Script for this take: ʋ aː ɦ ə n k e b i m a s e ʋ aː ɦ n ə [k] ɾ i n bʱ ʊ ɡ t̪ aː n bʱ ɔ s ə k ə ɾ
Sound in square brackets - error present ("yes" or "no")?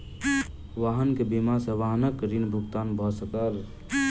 no